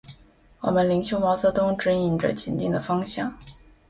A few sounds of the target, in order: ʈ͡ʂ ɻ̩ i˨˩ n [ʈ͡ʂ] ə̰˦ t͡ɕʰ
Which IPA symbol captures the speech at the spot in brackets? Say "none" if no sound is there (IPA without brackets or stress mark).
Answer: ʈ͡ʂ